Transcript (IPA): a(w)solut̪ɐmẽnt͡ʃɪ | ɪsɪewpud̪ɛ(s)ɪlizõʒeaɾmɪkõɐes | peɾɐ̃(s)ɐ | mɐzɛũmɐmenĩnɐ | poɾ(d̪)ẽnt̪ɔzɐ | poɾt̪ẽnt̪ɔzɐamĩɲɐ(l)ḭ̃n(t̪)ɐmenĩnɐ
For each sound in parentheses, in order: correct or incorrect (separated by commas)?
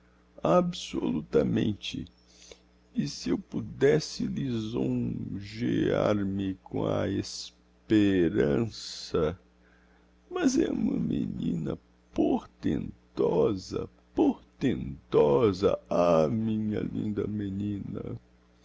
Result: incorrect, correct, correct, incorrect, correct, incorrect